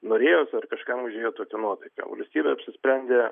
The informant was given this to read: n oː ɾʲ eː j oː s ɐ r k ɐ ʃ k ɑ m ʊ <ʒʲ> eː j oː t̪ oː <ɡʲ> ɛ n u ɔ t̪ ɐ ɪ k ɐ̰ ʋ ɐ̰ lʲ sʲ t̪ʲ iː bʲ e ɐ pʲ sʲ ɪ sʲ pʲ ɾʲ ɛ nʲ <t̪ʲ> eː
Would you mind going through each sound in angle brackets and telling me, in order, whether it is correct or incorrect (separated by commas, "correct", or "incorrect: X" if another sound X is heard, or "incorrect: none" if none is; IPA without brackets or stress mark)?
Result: correct, incorrect: kʲ, incorrect: d̪ʲ